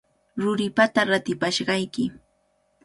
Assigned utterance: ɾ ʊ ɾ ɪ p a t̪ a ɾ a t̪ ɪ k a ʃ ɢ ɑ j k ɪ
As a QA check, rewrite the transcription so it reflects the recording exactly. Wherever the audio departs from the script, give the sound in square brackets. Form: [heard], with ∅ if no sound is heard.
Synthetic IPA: ɾ ʊ ɾ ɪ p a t̪ a ɾ a t̪ ɪ [p] a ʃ ɢ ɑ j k ɪ